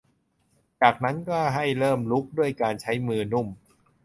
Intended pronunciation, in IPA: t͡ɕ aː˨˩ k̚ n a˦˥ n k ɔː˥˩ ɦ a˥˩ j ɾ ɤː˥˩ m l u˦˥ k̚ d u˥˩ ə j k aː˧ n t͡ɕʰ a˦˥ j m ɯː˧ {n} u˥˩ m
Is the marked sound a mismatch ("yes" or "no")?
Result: no